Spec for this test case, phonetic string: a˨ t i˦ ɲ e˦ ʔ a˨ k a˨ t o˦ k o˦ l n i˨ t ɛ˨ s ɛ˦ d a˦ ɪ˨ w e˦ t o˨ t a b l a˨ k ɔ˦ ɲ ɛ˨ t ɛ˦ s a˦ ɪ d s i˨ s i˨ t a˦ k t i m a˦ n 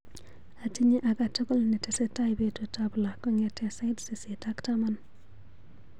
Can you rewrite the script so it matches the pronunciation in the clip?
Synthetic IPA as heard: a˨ t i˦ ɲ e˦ ʔ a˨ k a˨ t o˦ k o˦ l n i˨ t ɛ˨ s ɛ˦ t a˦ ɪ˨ b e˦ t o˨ t a b l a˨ k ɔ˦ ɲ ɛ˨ t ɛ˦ s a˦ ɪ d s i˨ s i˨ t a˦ k t a m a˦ n